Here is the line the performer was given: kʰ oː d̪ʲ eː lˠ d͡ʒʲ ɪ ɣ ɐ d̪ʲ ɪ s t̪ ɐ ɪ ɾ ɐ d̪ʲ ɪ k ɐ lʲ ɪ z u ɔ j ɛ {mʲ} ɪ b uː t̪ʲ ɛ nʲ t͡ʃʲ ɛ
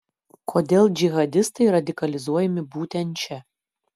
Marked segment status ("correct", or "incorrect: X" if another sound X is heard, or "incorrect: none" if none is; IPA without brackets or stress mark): correct